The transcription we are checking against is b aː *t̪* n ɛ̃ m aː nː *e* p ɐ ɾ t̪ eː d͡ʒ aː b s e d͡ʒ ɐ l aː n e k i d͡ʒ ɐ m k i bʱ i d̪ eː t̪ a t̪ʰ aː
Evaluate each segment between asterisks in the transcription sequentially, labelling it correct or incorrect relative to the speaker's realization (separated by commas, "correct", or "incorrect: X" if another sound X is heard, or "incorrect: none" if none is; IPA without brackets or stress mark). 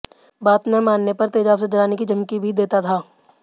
correct, correct